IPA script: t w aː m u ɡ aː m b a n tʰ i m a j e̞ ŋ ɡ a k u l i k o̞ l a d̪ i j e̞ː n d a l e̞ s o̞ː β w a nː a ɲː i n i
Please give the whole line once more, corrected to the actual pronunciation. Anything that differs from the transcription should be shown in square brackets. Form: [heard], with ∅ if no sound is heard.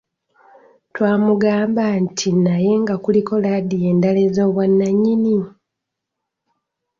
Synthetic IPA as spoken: t w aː m u ɡ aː m b a n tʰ i [n] a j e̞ ŋ ɡ a k u l i k o̞ l a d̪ i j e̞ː n d a l e̞ [z] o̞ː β w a nː a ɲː i n i